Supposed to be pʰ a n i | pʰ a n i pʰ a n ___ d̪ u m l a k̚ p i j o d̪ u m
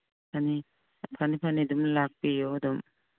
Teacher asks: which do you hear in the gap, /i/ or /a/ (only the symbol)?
i